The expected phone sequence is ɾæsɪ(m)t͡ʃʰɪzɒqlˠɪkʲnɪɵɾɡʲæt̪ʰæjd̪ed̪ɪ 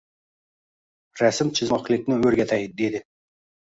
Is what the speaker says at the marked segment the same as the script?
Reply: yes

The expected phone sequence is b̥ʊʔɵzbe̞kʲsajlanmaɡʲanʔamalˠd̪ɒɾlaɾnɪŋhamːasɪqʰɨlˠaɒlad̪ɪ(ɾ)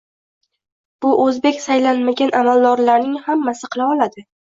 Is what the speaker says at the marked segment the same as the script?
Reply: no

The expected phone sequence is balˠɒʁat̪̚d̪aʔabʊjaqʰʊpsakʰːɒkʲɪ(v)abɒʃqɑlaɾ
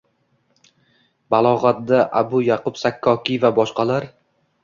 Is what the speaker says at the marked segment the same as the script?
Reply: yes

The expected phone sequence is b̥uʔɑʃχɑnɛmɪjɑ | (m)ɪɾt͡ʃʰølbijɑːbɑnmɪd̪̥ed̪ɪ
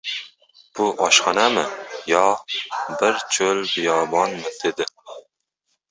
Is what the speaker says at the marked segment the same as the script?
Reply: no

